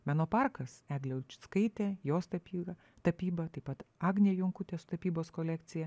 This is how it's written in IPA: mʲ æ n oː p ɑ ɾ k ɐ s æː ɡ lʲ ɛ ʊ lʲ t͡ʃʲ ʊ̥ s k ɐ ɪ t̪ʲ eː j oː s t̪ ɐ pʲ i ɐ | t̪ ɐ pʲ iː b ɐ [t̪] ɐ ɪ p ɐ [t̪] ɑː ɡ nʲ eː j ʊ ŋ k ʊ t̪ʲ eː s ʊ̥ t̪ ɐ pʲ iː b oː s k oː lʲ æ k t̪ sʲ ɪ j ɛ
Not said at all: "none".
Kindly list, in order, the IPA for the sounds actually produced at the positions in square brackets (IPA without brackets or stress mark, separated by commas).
t̪, t̪